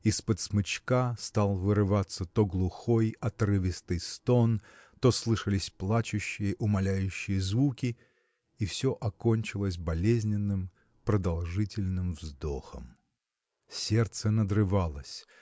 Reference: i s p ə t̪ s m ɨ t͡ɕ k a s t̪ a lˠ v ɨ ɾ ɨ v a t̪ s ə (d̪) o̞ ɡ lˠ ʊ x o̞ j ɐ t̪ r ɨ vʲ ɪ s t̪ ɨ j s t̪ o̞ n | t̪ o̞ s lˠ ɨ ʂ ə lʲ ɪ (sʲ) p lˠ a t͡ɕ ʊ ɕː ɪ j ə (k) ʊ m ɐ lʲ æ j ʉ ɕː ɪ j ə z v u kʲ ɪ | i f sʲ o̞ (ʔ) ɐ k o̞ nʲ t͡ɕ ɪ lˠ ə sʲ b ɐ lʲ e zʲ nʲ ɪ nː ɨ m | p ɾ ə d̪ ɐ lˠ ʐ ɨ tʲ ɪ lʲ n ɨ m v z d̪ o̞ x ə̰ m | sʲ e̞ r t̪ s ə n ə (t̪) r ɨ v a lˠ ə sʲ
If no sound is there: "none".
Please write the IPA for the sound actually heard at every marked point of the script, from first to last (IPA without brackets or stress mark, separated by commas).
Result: t̪, sʲ, ʔ, ʔ, d̪